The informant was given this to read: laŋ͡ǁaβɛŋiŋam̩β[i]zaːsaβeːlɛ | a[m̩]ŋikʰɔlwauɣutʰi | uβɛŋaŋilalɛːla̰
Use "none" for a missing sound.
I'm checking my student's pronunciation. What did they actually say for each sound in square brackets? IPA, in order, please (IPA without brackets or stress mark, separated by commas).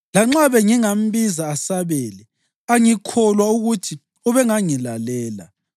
i, none